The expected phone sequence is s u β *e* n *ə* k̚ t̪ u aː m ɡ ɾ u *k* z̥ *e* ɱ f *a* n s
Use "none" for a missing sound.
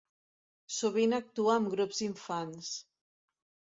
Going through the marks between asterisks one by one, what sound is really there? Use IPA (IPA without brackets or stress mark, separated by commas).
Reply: i, a, p, i, a